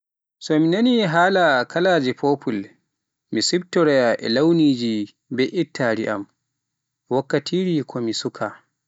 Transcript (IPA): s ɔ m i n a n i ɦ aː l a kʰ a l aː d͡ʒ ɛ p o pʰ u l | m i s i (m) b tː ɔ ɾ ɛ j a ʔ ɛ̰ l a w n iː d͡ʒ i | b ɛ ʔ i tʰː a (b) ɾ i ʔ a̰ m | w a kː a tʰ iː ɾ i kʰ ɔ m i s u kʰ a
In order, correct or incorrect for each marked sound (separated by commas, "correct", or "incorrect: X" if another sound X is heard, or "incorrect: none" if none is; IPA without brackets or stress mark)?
incorrect: none, incorrect: none